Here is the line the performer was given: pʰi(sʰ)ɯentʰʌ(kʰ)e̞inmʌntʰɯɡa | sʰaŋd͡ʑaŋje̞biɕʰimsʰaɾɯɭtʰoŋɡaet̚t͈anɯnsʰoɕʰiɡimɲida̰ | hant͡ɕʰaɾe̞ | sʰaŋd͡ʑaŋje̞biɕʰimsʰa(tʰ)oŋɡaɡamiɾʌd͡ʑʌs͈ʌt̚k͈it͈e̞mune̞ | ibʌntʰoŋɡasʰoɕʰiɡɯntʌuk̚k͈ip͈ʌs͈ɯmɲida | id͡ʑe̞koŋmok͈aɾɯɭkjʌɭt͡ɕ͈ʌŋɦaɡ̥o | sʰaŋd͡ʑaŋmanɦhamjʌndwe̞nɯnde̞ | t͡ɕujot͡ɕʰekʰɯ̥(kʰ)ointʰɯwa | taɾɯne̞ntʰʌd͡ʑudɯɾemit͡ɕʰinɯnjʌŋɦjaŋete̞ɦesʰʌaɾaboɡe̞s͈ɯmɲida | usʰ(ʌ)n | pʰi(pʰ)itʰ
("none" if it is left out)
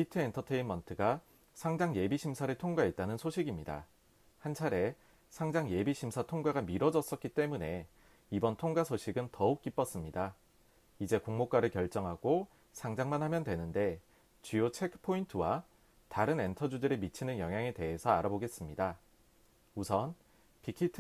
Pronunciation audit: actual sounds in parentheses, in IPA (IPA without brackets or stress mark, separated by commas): tʰ, tʰ, tʰ, pʰ, ʌ, kʰ